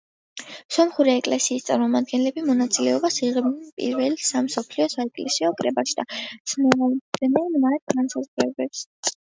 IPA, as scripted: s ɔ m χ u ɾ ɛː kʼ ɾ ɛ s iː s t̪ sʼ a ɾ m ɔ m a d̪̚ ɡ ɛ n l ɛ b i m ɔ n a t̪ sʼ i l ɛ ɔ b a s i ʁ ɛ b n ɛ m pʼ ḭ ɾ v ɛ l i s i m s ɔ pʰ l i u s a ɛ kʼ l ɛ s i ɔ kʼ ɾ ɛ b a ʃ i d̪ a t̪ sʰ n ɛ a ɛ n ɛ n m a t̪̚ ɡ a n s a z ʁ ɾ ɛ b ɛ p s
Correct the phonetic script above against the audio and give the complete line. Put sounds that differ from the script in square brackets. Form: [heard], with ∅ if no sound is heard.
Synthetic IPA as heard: s ɔ m χ u ɾ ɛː kʼ [l] ɛ s iː s t̪ sʼ a ɾ m ɔ m a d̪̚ ɡ ɛ n l ɛ b i m ɔ n a t̪ sʼ i l ɛ ɔ b a s i ʁ ɛ b n ɛ [n] pʼ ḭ ɾ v ɛ l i s [a] m s ɔ pʰ l i [ɔ] s a ɛ kʼ l ɛ s i ɔ kʼ ɾ ɛ b a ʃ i d̪ a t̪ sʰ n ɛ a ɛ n ɛ n m a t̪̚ ɡ a n s a z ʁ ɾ ɛ b ɛ p s